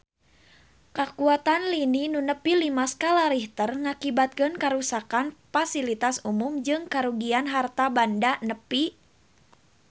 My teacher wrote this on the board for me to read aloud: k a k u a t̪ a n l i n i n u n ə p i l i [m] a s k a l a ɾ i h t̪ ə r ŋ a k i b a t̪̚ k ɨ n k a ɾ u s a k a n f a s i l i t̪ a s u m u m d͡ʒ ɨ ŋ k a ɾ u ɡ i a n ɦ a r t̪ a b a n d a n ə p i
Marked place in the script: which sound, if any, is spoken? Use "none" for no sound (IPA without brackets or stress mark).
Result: m